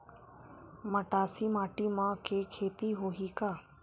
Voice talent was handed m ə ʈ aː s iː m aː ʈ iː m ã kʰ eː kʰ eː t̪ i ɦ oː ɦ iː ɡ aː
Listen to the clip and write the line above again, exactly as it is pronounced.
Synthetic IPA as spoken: m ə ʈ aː s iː m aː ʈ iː m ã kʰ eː kʰ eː t̪ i ɦ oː ɦ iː k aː